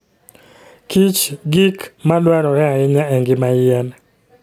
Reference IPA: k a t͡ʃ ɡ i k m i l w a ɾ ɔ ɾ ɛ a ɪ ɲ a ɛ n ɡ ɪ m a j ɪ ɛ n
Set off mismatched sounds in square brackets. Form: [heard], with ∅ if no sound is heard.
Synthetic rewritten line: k [i] t͡ʃ ɡ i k m [a] l w a ɾ ɔ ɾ ɛ a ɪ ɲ a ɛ [ŋ] ɡ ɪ m a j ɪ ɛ n

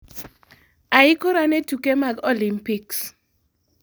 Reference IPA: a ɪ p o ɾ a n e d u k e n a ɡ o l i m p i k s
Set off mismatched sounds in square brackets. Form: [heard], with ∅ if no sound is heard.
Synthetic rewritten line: a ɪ [k] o ɾ a n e [t] u k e [m] a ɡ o l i m p i k s

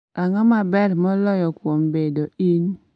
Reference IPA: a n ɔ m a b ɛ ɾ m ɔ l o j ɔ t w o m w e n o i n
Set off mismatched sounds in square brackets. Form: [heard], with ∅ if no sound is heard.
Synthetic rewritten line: a [ŋ] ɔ m a b ɛ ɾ m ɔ l [ɔ] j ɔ [k] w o m [b] e [d] o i n

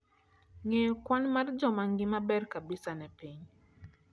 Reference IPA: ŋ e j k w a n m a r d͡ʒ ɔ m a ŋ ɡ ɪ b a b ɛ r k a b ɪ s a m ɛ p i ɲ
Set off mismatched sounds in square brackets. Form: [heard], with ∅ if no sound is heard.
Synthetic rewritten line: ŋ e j k w a n m a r d͡ʒ ɔ m a ŋ ɡ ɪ [m] a b ɛ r k a b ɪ s a [n] ɛ p i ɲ

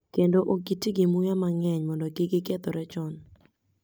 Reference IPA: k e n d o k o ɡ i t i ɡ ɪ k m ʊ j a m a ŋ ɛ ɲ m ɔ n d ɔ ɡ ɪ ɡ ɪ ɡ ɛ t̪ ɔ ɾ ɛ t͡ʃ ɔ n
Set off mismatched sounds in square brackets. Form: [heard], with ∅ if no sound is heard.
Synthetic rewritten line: k e n d o [ʔ] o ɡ i t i ɡ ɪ [∅] m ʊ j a m a ŋ ɛ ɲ m ɔ n d ɔ ɡ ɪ ɡ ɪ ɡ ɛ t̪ ɔ ɾ ɛ t͡ʃ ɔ n

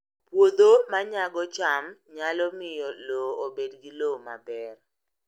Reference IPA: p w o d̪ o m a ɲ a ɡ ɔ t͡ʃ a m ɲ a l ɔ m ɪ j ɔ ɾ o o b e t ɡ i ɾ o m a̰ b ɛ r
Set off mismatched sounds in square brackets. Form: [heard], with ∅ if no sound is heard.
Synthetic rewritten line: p w o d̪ o m a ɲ a ɡ ɔ t͡ʃ a m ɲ a l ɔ m ɪ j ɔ [l] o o b e [d] ɡ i [l] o m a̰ b ɛ r

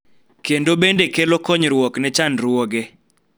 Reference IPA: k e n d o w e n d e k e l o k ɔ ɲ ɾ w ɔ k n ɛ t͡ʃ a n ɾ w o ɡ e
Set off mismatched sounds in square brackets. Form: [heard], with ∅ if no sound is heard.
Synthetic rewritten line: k e n d o [b] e n d e k e l o k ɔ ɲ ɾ w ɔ k n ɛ t͡ʃ a n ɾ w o ɡ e

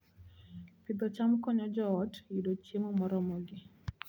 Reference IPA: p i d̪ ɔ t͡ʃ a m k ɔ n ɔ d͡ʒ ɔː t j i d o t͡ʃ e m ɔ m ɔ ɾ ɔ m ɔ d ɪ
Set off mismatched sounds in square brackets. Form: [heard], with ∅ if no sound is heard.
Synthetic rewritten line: p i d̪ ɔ t͡ʃ a m k ɔ [ɲ] ɔ d͡ʒ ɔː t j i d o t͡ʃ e m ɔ m ɔ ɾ ɔ m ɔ [ɡ] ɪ

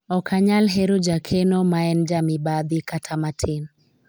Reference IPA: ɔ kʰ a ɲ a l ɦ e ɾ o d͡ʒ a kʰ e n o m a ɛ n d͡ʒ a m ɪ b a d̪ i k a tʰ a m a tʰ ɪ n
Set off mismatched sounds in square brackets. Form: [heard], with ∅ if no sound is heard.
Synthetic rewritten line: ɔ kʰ a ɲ a l ɦ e ɾ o d͡ʒ a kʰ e n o m a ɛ n d͡ʒ a m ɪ b a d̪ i k a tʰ a m a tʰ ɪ n

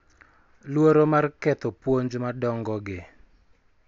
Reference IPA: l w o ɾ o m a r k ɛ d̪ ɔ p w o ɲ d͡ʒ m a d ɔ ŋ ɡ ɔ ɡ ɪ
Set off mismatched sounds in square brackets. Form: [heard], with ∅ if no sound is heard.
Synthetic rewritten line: l w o ɾ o m a r k ɛ [t̪] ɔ p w o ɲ d͡ʒ m a d ɔ ŋ ɡ ɔ ɡ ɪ

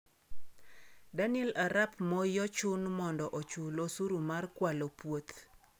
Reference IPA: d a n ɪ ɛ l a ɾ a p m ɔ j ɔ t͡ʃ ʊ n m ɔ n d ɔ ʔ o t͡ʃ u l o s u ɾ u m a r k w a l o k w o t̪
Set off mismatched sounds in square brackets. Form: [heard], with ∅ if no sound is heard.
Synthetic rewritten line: d a n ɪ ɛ l a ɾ a p m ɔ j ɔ t͡ʃ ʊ n m ɔ n d ɔ ʔ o t͡ʃ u l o s u ɾ u m a r k w a l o [p] w o t̪

